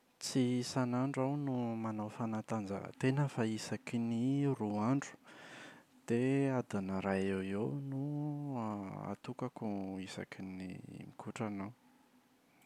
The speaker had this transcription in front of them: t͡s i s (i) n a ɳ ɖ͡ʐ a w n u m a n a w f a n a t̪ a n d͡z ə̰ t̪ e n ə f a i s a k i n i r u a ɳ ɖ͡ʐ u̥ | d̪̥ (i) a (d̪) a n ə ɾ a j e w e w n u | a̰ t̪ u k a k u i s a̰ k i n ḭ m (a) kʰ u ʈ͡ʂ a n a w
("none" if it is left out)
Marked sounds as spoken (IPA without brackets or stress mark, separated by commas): a, e, d̪, i